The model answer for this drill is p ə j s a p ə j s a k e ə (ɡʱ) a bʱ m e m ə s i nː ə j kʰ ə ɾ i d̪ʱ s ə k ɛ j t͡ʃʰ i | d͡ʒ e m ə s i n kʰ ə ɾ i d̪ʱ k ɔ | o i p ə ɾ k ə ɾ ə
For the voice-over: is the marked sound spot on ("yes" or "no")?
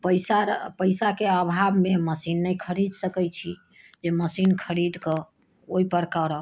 no